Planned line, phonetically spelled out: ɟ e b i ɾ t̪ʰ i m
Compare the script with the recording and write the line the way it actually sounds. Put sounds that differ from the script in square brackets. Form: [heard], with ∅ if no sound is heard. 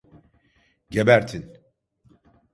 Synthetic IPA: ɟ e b [æ] ɾ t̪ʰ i [n]